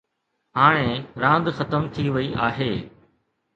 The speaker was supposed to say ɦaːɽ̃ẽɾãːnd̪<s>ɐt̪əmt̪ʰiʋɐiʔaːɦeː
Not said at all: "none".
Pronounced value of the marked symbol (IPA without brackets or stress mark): x